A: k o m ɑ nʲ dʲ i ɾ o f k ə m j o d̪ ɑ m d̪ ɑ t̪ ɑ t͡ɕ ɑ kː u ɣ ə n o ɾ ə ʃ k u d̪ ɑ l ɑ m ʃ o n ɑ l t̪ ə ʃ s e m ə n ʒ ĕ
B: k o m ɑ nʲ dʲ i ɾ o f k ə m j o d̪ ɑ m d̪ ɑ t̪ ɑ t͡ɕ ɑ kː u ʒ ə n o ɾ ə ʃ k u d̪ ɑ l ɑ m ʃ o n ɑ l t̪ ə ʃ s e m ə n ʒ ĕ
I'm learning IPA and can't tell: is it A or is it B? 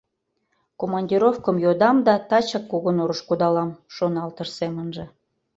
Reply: A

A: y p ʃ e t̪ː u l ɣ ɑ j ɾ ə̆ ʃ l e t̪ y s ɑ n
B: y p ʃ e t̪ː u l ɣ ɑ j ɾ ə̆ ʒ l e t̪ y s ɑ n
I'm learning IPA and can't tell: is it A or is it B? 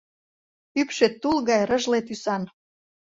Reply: B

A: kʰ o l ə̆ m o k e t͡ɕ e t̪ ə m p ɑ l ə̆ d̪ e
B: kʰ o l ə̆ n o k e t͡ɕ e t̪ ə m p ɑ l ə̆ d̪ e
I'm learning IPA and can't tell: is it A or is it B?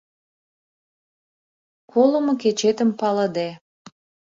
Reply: A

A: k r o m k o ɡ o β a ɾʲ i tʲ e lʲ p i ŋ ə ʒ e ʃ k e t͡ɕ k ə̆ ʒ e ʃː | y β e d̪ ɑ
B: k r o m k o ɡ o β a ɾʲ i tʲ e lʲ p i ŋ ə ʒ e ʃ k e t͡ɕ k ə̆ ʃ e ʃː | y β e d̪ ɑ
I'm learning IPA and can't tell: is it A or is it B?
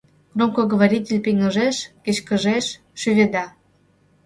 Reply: A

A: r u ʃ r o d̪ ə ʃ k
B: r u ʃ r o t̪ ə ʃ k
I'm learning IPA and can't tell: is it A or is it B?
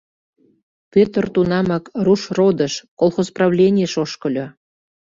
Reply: A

